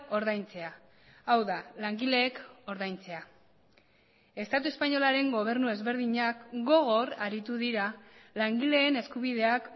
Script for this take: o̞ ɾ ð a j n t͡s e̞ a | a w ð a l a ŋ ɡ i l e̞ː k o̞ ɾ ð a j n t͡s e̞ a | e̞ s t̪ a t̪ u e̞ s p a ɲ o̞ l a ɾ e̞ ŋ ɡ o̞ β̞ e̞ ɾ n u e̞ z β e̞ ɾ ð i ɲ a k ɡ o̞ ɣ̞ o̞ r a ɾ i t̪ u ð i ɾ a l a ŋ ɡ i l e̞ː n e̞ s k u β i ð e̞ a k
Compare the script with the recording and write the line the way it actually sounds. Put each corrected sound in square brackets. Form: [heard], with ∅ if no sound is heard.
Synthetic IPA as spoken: o̞ ɾ ð a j n t͡s e̞ a | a w ð a l a ŋ ɡ i l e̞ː k o̞ ɾ ð a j n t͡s e̞ a | e̞ s t̪ a t̪ u e̞ s p a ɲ o̞ l a ɾ e̞ ŋ ɡ o̞ β̞ e̞ ɾ n u e̞ z β e̞ ɾ ð i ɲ a k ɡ o̞ ɣ̞ o̞ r a ɾ i t̪ u ð i ɾ a l a ŋ ɡ i l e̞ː n e̞ s k u β i ð e̞ a k